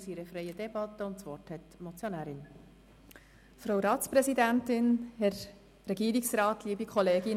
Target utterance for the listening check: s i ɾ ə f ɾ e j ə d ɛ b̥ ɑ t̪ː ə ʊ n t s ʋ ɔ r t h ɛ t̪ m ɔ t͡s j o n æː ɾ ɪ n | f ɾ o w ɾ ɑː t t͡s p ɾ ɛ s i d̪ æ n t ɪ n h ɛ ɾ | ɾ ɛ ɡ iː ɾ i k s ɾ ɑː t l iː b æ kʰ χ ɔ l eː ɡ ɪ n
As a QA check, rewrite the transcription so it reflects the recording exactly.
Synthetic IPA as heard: s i ɾ ə f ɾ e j ə d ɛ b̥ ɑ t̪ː ə ʊ n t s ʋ ɔ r t h ɛ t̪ m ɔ t͡s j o n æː ɾ ɪ n | f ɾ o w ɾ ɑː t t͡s p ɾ ɛ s i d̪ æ n t ɪ n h ɛ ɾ | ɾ ɛ ɡ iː ɾ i k s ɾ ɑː t l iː b i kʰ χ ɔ l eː ɡ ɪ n